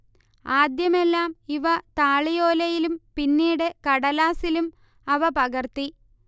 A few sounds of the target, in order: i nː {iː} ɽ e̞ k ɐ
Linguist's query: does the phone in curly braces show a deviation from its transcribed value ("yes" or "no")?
no